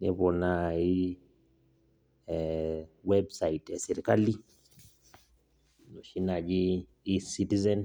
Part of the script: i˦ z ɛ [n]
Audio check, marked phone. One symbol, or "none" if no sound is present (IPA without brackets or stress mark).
n